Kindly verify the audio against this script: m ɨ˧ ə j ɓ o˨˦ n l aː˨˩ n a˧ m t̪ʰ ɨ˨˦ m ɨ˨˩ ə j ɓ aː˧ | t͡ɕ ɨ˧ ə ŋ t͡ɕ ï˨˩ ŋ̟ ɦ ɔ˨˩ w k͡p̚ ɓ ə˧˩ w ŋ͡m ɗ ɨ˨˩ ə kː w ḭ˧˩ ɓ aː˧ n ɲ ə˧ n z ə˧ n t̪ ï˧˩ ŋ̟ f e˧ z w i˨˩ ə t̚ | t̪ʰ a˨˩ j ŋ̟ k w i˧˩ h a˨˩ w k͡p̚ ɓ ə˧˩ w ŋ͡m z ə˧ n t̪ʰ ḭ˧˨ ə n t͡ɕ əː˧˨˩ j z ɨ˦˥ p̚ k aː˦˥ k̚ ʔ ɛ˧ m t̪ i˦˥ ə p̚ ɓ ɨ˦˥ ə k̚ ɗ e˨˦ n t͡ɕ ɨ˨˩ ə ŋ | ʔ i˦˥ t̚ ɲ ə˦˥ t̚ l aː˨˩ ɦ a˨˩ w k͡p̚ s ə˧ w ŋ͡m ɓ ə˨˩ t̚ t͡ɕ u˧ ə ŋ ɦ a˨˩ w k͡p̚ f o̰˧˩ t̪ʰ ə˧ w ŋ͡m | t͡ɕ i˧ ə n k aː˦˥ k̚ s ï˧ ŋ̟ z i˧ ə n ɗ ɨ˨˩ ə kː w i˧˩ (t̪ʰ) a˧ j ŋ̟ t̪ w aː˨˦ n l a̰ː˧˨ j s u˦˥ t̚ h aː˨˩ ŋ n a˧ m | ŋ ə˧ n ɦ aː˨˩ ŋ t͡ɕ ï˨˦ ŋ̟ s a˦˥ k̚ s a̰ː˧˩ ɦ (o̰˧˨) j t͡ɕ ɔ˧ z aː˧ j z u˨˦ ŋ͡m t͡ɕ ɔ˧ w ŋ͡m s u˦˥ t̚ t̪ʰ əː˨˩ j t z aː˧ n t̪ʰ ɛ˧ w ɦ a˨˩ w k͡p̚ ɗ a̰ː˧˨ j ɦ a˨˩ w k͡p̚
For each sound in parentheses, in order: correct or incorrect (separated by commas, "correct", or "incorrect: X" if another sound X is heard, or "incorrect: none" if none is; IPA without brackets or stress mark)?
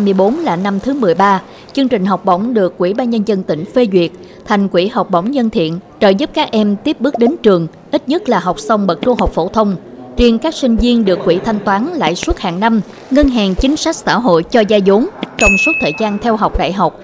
correct, correct